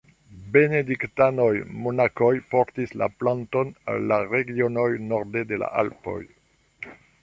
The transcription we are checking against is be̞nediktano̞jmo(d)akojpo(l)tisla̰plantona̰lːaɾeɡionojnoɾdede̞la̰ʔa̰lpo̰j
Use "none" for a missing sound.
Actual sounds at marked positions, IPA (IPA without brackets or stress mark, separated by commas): n, ɾ